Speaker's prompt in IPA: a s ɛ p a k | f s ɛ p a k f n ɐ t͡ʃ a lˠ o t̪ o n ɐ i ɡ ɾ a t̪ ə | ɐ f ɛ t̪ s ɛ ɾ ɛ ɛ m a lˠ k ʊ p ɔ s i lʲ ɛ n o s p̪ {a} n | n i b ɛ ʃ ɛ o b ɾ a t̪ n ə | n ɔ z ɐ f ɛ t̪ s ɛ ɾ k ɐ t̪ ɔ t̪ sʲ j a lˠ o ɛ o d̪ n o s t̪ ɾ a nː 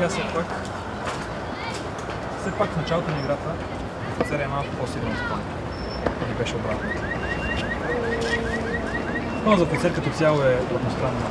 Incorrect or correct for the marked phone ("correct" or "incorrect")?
correct